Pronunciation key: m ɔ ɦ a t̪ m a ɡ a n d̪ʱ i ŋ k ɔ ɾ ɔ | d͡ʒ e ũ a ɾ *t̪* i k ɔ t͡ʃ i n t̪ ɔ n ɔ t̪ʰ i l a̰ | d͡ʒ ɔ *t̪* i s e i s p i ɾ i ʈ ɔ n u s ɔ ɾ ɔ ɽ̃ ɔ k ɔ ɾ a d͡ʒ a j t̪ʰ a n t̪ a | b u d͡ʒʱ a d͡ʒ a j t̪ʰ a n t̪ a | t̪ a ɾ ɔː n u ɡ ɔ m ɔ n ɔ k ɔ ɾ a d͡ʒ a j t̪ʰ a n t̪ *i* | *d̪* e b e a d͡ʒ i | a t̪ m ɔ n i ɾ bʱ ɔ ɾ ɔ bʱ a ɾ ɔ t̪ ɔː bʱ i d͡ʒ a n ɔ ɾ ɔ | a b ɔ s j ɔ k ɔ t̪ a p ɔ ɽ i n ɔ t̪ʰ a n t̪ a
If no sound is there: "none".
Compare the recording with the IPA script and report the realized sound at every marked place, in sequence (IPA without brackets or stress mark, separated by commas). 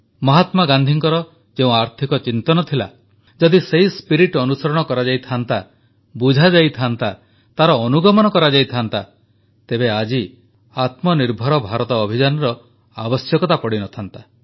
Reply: t̪ʰ, d̪, a, t̪